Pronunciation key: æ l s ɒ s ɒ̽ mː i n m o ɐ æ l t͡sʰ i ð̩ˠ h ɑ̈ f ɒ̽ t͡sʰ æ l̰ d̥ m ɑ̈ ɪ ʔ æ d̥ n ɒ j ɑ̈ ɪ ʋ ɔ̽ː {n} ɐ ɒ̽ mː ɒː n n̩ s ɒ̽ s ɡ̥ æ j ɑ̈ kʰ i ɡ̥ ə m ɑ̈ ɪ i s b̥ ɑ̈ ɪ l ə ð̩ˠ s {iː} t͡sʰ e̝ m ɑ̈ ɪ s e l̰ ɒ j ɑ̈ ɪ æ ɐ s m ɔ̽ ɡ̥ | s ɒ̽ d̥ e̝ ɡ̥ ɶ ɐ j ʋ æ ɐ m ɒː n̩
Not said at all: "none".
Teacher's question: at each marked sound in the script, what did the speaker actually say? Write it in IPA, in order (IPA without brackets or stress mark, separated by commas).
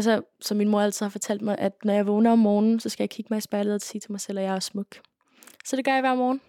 n, iː